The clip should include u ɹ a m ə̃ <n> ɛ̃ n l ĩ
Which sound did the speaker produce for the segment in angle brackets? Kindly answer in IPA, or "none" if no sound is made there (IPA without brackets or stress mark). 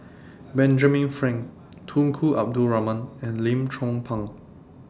n